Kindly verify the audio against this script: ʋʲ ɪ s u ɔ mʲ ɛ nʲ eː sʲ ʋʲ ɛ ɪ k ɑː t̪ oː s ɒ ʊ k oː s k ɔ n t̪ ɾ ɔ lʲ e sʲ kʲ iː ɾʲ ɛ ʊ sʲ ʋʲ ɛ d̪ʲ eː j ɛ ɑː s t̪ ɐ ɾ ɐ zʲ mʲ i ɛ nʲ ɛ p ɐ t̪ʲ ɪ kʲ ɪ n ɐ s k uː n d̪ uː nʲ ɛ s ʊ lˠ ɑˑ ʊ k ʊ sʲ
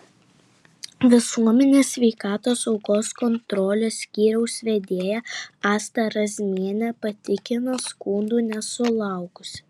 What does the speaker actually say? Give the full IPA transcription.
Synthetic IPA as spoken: ʋʲ ɪ s u ɔ mʲ ɛ nʲ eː sʲ ʋʲ ɛ ɪ k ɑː t̪ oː s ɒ ʊ k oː s k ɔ n t̪ ɾ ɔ lʲ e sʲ kʲ iː ɾʲ ɛ ʊ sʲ ʋʲ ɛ d̪ʲ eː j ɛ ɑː s t̪ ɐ ɾ ɐ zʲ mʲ i ɛ nʲ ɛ p ɐ t̪ʲ ɪ kʲ ɪ n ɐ s k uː n d̪ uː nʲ ɛ s ʊ lˠ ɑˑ ʊ k ʊ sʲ